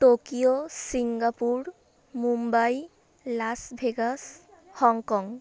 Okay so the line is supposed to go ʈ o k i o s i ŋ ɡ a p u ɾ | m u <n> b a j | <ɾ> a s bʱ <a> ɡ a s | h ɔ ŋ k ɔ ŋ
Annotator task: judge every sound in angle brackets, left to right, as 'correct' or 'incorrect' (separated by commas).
incorrect, incorrect, incorrect